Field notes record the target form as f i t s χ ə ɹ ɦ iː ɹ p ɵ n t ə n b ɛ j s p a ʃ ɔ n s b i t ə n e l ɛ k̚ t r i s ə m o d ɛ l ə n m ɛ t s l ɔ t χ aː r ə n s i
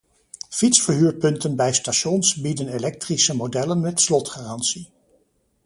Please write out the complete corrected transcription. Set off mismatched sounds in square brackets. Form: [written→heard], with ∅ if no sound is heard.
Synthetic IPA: f i t s [χ→f] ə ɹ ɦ [iː→yː] ɹ p ɵ n t ə n b ɛ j s [p→t] a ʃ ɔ n s b i [t→d] ə n e l ɛ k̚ t r i s ə m o d ɛ l ə n m ɛ t s l ɔ t χ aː r [ə→ɑ] n s i

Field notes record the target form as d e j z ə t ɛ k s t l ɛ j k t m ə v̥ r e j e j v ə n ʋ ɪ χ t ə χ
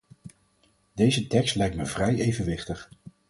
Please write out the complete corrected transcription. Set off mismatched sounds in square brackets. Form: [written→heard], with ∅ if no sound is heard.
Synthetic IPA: d e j z ə t ɛ k s t l ɛ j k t m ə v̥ r [e→ɛ] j e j v ə n ʋ ɪ χ t ə χ

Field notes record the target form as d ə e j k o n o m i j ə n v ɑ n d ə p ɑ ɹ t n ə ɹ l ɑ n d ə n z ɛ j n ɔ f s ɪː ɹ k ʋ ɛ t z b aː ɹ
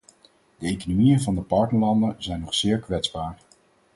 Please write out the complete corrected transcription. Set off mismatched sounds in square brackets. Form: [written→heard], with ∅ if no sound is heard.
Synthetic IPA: d ə e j k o n o m i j ə n v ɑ n d ə p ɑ ɹ t n ə ɹ l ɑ n d ə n z ɛ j n ɔ [f→χ] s ɪː ɹ k ʋ ɛ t z b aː ɹ

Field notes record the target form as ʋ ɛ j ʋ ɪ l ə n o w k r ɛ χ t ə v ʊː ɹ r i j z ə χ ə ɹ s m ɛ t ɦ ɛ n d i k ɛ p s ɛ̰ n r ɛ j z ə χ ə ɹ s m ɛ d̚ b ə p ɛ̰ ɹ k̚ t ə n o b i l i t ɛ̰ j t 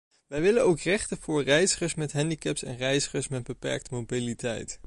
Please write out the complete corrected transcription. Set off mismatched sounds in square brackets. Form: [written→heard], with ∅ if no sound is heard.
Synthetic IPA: ʋ ɛ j ʋ ɪ l ə n o w k r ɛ χ t ə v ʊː ɹ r [i→ɛ] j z ə χ ə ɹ s m ɛ t ɦ ɛ n d i k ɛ p s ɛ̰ n r ɛ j z ə χ ə ɹ s m ɛ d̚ b ə p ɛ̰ ɹ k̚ t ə [n→m] o b i l i t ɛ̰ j t

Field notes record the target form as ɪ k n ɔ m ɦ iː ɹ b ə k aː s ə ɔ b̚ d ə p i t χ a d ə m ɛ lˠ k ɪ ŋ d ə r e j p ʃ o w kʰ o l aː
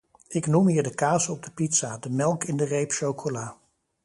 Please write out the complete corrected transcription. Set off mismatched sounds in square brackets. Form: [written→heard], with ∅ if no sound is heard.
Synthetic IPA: ɪ k n [ɔ→u] m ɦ iː ɹ [b→d] ə k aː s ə ɔ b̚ d ə p i t [χ→s] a d ə m ɛ lˠ k ɪ [ŋ→n] d ə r e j p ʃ o w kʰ o l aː

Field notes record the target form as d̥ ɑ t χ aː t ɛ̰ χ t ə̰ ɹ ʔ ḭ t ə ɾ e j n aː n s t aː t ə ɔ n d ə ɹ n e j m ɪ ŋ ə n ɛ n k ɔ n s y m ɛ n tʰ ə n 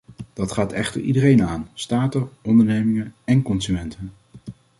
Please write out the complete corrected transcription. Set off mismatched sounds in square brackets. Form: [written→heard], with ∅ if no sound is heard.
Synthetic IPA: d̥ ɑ t χ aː t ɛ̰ χ t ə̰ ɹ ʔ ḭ [t→d] ə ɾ e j n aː n s t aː t ə ɔ n d ə ɹ n e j m ɪ ŋ ə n ɛ n k ɔ n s y m ɛ n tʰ ə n

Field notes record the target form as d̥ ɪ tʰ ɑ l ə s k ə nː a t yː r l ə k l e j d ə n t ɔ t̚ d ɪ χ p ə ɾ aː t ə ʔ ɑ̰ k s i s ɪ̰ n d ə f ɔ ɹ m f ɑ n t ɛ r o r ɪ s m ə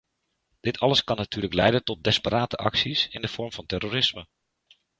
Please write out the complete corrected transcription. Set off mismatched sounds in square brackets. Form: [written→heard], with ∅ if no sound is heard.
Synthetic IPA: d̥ ɪ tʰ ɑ l ə s k [ə→ɑ] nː a t yː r l ə k l [e→ɛ] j d ə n t ɔ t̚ d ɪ [χ→s] p ə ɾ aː t ə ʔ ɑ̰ k s i s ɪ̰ n d ə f ɔ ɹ m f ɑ n t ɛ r o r ɪ s m ə

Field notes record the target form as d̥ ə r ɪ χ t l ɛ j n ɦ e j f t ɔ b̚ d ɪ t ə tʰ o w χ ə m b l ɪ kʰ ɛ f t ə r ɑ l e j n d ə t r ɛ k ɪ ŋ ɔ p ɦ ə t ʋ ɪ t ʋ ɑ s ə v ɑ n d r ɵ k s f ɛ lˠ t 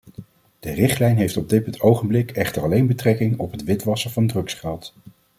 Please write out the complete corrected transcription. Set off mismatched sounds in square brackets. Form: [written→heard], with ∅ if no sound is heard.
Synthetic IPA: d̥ ə r ɪ χ t l ɛ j n ɦ e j f t ɔ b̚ d ɪ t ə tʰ o w χ ə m b l ɪ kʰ ɛ [f→χ] t ə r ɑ l e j n [d→b] ə t r ɛ k ɪ ŋ ɔ p ɦ ə t ʋ ɪ t ʋ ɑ s ə v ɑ n d r ɵ k s [f→χ] ɛ lˠ t

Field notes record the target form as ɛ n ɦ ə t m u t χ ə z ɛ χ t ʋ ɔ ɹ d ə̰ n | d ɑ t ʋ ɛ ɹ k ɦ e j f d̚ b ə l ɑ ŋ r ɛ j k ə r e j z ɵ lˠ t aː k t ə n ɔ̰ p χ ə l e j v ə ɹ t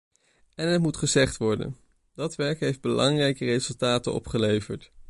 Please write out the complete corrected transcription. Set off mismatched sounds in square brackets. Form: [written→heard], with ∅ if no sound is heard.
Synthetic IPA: ɛ n ɦ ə t m u t χ ə z ɛ χ t ʋ ɔ ɹ d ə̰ n | d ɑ t ʋ ɛ ɹ k ɦ e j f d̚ b ə l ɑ ŋ r ɛ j k ə r e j z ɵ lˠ t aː [k→∅] t ə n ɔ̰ p χ ə l e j v ə ɹ t

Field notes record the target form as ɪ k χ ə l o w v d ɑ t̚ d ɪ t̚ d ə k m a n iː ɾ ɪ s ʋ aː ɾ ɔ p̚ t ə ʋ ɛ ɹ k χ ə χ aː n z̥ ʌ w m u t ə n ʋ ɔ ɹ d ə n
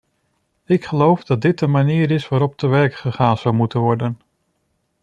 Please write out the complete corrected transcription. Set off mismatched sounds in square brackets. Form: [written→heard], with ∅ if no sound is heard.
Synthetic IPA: ɪ k χ ə l o w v d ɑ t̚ d ɪ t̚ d ə [k→∅] m a n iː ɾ ɪ s ʋ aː ɾ ɔ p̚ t ə ʋ ɛ ɹ k χ ə χ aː n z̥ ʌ w m u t ə n ʋ ɔ ɹ d ə n

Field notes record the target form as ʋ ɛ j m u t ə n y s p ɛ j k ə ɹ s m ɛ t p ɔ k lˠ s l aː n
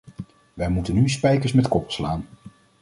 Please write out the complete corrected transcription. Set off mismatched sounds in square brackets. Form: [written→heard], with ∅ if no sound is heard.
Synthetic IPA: ʋ ɛ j m u t ə n y s p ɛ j k ə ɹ s m ɛ t [p→k] ɔ [k→p] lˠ s l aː n

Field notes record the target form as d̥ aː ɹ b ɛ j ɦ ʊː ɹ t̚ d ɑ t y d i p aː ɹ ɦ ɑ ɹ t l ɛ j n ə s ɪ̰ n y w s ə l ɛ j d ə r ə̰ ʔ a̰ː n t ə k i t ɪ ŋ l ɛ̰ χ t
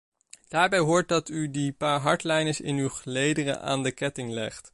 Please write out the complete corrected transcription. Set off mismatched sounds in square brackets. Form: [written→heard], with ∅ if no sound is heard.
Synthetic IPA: d̥ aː ɹ b ɛ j ɦ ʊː ɹ t̚ d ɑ t y d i p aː ɹ ɦ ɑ ɹ t l ɛ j n ə s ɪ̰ n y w [s→χ] ə l [ɛ→e] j d ə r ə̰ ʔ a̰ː n [t→d] ə k [i→ɛ] t ɪ ŋ l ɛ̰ χ t

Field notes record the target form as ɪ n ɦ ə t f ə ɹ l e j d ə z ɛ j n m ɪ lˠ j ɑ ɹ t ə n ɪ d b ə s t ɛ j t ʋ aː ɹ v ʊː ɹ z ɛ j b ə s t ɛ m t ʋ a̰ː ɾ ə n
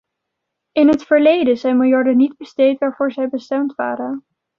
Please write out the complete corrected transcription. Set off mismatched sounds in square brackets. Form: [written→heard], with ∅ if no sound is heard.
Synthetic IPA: ɪ n ɦ ə t f ə ɹ l e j d ə z ɛ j n m ɪ lˠ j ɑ ɹ [t→d] ə n [ɪ→i] d b ə s t [ɛ→e] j t ʋ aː ɹ v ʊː ɹ z ɛ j b ə s t ɛ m t ʋ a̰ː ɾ ə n

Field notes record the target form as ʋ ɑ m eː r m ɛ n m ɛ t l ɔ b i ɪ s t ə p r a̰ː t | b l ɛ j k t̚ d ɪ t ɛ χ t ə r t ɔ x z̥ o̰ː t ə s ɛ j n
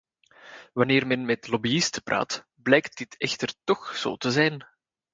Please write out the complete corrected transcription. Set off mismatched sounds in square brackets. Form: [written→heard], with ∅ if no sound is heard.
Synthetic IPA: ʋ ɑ [m→n] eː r m ɛ n m ɛ t l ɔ b i ɪ s t ə p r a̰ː t | b l ɛ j k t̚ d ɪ t ɛ [χ→x] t ə r t ɔ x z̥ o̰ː t ə [s→z] ɛ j n

